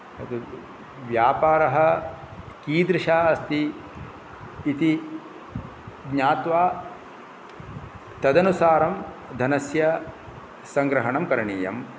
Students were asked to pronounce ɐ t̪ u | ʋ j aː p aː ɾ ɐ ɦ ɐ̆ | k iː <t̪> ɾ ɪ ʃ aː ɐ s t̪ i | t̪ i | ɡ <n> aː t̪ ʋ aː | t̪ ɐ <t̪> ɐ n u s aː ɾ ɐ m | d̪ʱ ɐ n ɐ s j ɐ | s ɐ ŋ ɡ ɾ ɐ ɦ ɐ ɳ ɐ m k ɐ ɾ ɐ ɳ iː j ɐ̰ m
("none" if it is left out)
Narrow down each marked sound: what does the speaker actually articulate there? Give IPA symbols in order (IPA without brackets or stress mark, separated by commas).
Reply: d̪, ɲ, d̪